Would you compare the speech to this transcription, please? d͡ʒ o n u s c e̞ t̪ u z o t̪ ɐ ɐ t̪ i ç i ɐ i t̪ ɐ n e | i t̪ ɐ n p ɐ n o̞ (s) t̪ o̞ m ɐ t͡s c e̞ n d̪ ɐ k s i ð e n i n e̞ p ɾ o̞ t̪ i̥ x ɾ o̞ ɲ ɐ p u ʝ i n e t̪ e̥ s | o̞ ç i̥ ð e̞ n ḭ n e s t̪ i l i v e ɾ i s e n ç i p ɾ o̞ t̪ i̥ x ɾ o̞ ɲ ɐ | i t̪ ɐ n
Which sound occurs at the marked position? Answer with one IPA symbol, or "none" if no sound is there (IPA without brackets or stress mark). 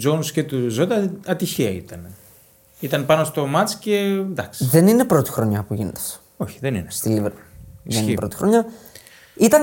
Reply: s